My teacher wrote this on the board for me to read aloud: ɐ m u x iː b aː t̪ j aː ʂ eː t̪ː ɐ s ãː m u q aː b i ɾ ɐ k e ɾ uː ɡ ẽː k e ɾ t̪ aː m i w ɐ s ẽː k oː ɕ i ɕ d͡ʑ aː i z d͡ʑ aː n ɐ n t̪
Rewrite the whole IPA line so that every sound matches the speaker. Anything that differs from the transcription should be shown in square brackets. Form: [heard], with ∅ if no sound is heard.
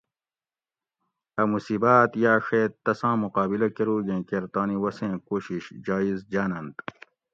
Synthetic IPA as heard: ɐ m u [s] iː b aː t̪ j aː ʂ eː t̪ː ɐ s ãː m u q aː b i [l] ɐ k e ɾ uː ɡ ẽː k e ɾ t̪ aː [n] i w ɐ s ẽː k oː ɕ i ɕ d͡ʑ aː i z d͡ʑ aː n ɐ n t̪